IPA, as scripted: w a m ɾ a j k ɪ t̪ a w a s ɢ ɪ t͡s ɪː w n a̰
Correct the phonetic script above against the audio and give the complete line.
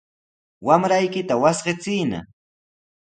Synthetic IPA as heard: w a m ɾ a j k ɪ t̪ a w a s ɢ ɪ t͡s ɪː n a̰